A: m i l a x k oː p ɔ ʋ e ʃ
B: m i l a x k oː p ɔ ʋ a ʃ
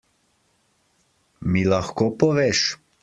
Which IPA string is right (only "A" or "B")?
A